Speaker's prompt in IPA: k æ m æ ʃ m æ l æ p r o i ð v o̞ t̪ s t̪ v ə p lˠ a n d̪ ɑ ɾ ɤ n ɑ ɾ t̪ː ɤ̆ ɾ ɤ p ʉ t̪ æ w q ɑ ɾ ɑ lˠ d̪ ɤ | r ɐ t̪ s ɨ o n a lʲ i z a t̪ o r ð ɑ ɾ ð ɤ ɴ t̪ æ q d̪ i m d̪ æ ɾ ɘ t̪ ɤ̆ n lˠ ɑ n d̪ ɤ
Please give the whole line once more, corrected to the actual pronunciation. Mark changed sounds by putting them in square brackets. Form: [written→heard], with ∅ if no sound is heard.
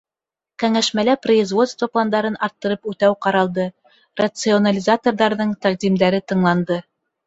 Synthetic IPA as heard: k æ [m→ŋ] æ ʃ m æ l æ p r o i [ð→z] v o̞ t̪ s t̪ v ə p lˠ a n d̪ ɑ ɾ ɤ n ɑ ɾ t̪ː ɤ̆ ɾ ɤ p ʉ t̪ æ w q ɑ ɾ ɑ lˠ d̪ ɤ | r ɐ t̪ s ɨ o n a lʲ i z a t̪ o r ð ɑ ɾ ð ɤ ɴ t̪ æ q d̪ i m d̪ æ ɾ ɘ t̪ ɤ̆ [n→ɴ] lˠ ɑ n d̪ ɤ